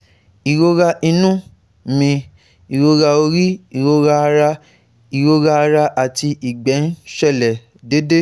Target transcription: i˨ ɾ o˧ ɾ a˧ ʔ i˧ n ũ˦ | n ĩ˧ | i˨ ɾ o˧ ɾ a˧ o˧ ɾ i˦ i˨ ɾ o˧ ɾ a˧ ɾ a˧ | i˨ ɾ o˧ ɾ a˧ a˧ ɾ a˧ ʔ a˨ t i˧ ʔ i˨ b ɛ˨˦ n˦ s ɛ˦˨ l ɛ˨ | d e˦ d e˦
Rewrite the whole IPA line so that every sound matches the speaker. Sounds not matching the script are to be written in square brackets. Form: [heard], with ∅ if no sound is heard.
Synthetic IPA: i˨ ɾ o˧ ɾ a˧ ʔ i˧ n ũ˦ | [m] ĩ˧ | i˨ ɾ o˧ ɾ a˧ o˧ ɾ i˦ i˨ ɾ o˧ ɾ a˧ ɾ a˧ | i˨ ɾ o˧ ɾ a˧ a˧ ɾ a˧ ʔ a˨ t i˧ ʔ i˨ [ɡ͡b] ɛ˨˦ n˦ [ʃ] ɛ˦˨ l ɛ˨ | d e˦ d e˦